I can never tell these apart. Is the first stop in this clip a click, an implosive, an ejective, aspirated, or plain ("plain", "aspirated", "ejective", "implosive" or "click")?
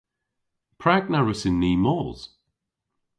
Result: aspirated